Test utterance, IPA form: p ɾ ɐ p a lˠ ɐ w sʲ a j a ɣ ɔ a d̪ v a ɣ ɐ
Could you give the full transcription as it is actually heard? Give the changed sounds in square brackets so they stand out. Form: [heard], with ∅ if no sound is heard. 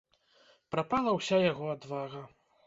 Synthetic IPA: p ɾ [a] p a lˠ ɐ w sʲ a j a ɣ ɔ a d̪ v a ɣ ɐ

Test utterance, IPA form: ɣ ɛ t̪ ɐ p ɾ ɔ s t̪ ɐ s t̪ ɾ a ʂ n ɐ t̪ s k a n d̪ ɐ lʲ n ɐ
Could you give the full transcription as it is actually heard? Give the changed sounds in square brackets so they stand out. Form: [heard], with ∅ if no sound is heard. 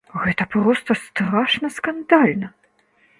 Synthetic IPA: ɣ ɛ t̪ ɐ p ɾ ɔ s t̪ ɐ s t̪ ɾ a ʂ n ɐ [∅] s k a n d̪ [a] lʲ n ɐ

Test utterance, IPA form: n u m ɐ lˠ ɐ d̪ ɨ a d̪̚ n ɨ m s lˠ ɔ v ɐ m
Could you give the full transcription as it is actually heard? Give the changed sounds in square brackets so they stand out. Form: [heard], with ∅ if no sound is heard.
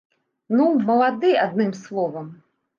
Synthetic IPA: n u m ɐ lˠ [a] d̪ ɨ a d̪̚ n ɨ m s lˠ ɔ v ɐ m

